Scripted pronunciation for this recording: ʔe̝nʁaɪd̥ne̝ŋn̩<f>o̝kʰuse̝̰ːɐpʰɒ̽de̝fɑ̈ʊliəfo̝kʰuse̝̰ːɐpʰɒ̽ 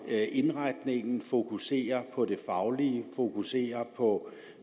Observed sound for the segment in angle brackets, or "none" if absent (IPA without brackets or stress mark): f